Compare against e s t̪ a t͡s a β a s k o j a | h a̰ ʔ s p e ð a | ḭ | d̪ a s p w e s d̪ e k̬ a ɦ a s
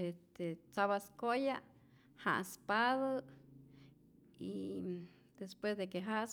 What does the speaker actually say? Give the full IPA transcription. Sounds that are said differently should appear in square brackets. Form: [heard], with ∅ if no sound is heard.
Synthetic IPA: e s t̪ [e] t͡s a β a s k o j a | h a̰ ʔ s p [a] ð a | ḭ | d̪ [e] s p w e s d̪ e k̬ [e] ɦ a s